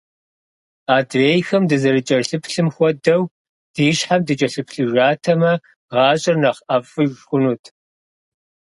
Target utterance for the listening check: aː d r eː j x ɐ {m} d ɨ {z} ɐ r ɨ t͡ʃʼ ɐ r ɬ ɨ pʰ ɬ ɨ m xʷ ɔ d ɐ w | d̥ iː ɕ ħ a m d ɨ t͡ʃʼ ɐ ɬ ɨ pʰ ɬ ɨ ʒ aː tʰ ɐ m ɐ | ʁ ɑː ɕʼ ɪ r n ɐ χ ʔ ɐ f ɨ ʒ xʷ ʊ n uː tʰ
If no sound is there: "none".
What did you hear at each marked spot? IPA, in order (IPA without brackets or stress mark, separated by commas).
m, z